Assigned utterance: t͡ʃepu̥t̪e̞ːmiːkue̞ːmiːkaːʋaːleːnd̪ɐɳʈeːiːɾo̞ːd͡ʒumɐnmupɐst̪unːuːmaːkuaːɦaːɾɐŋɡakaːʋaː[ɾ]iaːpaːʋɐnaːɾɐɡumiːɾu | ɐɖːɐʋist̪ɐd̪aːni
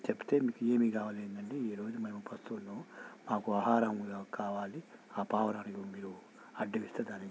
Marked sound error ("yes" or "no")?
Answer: yes